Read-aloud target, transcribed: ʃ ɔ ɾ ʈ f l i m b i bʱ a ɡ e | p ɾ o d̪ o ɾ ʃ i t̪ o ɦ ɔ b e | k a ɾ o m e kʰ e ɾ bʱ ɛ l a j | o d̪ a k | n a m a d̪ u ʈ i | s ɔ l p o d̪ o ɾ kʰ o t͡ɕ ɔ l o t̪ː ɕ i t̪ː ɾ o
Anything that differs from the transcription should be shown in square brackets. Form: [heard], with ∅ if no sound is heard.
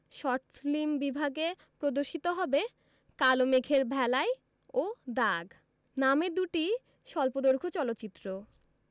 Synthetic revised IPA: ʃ ɔ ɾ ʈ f l i m b i bʱ a ɡ e | p ɾ o d̪ o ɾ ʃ i t̪ o ɦ ɔ b e | k a [l] o m e kʰ e ɾ bʱ ɛ l a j | o d̪ a [ɡ] | n a m [e] d̪ u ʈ i | [ʃ] ɔ l p o d̪ o ɾ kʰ o t͡ɕ ɔ l o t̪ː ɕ i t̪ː ɾ o

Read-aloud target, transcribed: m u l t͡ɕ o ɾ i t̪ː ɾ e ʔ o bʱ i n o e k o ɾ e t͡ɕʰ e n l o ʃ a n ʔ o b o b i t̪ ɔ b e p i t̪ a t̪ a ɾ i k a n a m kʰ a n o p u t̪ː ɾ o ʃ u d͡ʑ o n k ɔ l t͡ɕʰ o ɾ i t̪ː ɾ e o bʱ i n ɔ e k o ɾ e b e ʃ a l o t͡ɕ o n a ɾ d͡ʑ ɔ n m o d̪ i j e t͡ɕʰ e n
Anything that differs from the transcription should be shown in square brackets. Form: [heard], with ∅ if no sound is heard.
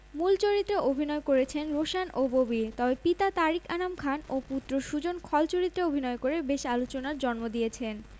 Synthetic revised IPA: m u l t͡ɕ o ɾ i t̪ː ɾ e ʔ o bʱ i n [ɔ] e k o ɾ e t͡ɕʰ e n [ɾ] o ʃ a n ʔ o b o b i t̪ ɔ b e p i t̪ a t̪ a ɾ i k a n a m kʰ a n o p u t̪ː ɾ o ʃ u d͡ʑ o n [kʰ] ɔ l [t͡ɕ] o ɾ i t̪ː ɾ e o bʱ i n ɔ e k o ɾ e b e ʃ a l o t͡ɕ o n a ɾ d͡ʑ ɔ n m o d̪ i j e t͡ɕʰ e n

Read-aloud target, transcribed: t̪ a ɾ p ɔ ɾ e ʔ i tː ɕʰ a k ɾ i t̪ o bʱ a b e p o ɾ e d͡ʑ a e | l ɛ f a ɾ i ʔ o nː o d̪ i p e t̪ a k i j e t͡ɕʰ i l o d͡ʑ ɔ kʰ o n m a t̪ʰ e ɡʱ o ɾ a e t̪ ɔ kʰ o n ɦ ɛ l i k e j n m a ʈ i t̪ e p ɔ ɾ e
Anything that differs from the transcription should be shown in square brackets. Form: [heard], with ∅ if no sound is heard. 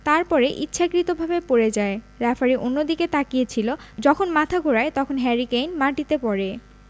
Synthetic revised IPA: t̪ a ɾ p ɔ ɾ e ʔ i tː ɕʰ a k ɾ i t̪ o bʱ a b e p o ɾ e d͡ʑ a e | [ɾ] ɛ f a ɾ i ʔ o nː o d̪ i [k] e t̪ a k i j e t͡ɕʰ i l o d͡ʑ ɔ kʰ o n m a t̪ʰ [a] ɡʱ o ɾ a e t̪ ɔ kʰ o n ɦ ɛ [ɾ] i k e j n m a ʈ i t̪ e p ɔ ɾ e

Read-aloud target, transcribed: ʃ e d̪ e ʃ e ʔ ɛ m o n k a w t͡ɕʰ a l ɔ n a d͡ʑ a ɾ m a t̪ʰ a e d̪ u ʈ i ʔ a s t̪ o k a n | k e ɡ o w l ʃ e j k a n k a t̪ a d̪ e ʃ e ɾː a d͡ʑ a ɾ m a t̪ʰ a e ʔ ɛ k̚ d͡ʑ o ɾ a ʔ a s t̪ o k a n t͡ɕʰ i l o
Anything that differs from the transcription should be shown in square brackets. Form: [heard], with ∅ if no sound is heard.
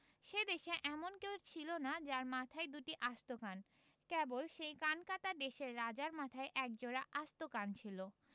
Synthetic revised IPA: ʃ e d̪ e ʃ e ʔ ɛ m o n k [e] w t͡ɕʰ [i] l [o] n a d͡ʑ a ɾ m a t̪ʰ a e d̪ u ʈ i ʔ a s t̪ o k a n | k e [b] o [∅] l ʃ e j k a n k a t̪ a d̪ e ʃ e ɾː a d͡ʑ a ɾ m a t̪ʰ a e ʔ ɛ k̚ d͡ʑ o ɾ a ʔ a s t̪ o k a n t͡ɕʰ i l o

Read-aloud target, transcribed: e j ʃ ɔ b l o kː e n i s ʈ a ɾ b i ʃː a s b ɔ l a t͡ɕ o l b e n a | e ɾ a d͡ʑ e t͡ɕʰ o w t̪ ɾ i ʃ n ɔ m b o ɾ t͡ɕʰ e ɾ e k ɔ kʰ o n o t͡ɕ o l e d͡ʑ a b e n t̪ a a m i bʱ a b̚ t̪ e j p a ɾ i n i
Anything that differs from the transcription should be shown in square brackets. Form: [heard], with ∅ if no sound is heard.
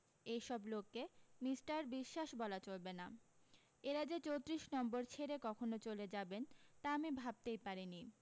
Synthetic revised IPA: e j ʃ ɔ b l o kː e [m] i s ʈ a ɾ b i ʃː a [ʃ] b ɔ l a t͡ɕ o l b e n a | e ɾ a d͡ʑ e [t͡ɕ] o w t̪ ɾ i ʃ n ɔ m b o ɾ t͡ɕʰ e ɾ e k ɔ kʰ o n o t͡ɕ o l e d͡ʑ a b e n t̪ a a m i bʱ a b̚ t̪ e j p a ɾ i n i

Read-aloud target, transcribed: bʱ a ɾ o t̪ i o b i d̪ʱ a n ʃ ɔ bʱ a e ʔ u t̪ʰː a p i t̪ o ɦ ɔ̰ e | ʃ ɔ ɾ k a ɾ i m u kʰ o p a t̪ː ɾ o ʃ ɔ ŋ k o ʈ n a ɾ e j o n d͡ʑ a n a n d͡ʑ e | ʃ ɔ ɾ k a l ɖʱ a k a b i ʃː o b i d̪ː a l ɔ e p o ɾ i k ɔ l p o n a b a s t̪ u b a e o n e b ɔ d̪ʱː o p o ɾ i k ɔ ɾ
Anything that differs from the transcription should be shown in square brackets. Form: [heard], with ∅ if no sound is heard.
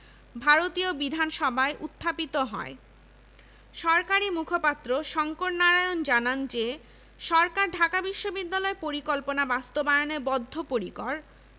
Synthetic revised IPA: bʱ a ɾ o t̪ i o b i d̪ʱ a n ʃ ɔ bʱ a e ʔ u t̪ʰː a p i t̪ o ɦ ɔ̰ e | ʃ ɔ ɾ k a ɾ i m u kʰ o p a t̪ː ɾ o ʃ ɔ ŋ k o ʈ n a ɾ [a] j o n d͡ʑ a n a n d͡ʑ e | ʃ ɔ ɾ k a [ɾ] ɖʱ a k a b i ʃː o b i d̪ː a l ɔ e p o ɾ i k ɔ l p o n a b a s t̪ [o] b a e o n e b ɔ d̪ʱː o p o ɾ i k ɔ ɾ

